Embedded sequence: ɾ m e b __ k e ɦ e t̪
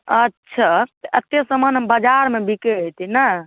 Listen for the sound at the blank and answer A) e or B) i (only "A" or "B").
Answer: B